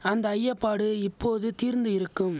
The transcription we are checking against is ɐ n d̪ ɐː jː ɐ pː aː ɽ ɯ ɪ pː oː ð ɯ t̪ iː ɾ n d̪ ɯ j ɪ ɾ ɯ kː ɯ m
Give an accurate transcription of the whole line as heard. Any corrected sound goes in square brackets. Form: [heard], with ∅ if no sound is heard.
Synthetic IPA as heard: ɐ n d̪ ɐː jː ɐ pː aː ɽ ɯ ɪ pː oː ð ɯ t̪ iː ɾ n d̪ ɯ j ɪ ɾ ɯ kː ɯ m